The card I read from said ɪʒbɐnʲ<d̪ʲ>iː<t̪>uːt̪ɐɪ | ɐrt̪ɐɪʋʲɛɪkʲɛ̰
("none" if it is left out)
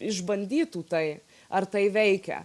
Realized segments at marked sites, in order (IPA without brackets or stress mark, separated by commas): d̪ʲ, t̪